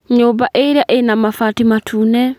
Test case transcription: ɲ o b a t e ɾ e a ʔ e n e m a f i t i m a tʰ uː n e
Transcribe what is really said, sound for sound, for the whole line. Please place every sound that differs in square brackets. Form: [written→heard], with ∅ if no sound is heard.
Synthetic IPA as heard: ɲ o b a [t→ʔ] e ɾ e a ʔ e n [e→a] m a f [i→a] t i m a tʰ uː n [e→ɛ]